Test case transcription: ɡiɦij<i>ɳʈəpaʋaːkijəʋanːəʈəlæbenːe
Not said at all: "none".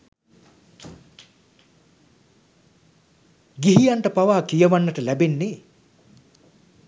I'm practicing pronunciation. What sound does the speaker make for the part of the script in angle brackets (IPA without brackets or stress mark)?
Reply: a